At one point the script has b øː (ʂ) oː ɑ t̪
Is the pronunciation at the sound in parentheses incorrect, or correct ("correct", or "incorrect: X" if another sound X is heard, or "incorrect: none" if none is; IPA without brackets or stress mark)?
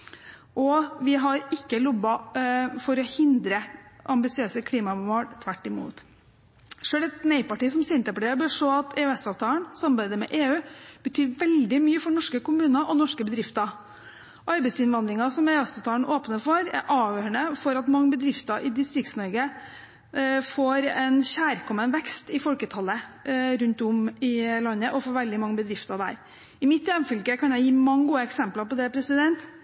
correct